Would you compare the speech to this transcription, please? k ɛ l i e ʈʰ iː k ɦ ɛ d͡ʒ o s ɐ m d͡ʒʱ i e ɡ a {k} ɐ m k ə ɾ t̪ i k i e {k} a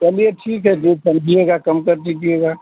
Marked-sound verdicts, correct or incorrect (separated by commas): correct, incorrect